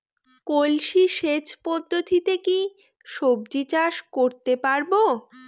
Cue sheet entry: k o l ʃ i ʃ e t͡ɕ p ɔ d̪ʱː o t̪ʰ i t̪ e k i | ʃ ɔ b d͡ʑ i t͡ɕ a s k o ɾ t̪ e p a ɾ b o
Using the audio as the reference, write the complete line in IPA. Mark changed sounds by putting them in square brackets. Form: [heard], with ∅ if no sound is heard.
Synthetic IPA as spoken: k o l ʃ i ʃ e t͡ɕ p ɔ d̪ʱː o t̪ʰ i t̪ e k i | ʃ [o] b d͡ʑ i t͡ɕ a [ʃ] k o ɾ t̪ e p a ɾ b o